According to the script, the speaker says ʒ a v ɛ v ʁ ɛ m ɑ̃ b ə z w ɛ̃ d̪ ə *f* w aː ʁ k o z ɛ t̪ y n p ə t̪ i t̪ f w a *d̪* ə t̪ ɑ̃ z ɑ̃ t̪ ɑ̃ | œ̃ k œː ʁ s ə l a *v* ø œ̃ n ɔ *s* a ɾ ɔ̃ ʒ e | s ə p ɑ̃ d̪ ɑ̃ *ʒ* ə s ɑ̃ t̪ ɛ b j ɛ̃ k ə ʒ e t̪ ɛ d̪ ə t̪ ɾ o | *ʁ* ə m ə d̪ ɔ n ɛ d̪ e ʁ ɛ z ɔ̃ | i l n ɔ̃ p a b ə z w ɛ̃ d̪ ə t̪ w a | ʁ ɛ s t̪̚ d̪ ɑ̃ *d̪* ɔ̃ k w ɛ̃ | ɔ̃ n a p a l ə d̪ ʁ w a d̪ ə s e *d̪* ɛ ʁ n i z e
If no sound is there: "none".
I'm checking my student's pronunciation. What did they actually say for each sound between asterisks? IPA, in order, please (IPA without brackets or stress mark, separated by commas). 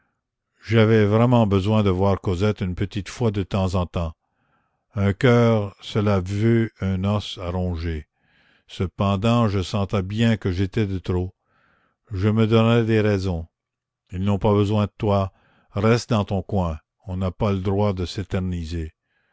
v, d̪, v, s, ʒ, ʒ, t̪, t̪